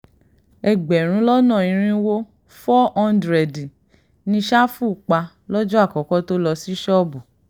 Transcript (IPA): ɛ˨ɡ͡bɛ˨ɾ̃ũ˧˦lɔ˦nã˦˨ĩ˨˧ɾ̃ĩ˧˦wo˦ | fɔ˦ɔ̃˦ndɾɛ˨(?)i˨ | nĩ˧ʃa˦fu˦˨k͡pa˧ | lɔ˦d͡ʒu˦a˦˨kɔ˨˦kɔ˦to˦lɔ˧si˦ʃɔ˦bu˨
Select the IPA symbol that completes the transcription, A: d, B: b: A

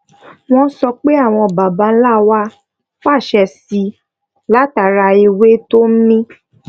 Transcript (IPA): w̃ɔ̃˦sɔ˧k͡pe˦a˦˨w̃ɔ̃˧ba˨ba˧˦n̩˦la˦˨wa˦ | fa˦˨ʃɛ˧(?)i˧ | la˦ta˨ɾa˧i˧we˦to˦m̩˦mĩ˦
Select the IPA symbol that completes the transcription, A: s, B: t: A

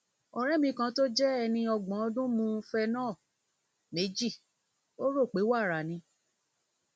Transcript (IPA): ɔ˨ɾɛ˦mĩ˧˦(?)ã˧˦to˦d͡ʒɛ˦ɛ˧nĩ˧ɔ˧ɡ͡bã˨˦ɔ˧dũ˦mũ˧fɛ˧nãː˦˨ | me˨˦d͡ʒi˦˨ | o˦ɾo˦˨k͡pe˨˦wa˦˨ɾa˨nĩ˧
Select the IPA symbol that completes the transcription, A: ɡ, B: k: B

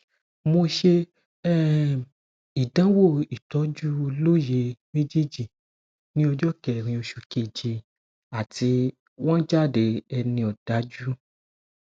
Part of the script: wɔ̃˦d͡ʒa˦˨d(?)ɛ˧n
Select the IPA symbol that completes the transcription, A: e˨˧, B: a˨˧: A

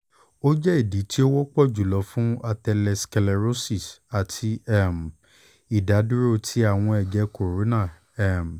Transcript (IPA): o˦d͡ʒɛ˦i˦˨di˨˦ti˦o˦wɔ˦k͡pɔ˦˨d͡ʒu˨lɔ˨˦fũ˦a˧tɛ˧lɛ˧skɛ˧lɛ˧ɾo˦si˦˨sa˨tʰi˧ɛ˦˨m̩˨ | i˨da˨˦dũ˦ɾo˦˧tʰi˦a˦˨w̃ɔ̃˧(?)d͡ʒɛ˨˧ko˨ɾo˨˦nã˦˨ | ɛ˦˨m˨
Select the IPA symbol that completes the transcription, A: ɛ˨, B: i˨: A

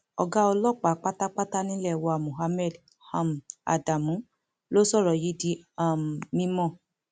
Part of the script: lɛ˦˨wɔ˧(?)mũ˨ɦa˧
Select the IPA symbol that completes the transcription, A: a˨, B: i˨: A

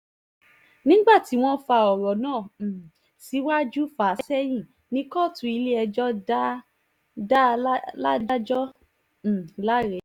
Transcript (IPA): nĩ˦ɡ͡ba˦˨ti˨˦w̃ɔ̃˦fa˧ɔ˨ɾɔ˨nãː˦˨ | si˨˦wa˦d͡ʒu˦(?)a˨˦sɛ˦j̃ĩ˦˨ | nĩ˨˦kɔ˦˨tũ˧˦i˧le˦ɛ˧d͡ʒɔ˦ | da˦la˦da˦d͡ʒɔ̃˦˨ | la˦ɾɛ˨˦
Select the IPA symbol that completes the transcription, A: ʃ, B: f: B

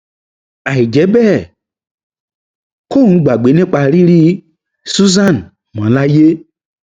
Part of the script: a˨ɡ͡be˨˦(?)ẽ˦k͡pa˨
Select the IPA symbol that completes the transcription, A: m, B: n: B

